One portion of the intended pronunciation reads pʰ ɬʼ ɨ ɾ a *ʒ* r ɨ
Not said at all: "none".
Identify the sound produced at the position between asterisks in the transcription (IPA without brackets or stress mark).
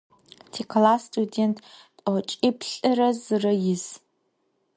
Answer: z